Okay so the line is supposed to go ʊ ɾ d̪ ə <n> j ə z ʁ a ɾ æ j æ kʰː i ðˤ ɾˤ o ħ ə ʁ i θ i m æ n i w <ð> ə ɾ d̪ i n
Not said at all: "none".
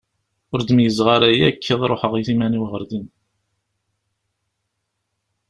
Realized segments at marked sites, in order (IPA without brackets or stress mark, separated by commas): m, ʁ